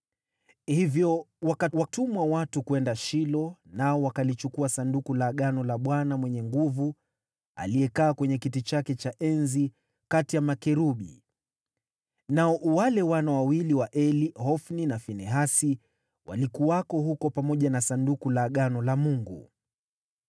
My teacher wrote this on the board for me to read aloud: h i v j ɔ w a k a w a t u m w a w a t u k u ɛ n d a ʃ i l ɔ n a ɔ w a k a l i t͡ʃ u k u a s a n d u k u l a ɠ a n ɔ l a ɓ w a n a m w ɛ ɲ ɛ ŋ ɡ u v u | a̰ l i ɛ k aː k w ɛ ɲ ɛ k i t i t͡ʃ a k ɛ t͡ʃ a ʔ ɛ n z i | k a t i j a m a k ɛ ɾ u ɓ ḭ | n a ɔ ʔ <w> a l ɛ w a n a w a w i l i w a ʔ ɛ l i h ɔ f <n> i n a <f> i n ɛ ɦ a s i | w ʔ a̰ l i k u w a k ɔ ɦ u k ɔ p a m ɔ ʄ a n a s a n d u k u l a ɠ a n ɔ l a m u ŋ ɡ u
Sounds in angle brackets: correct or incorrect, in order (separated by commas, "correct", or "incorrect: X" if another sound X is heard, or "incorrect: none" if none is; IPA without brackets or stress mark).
correct, correct, correct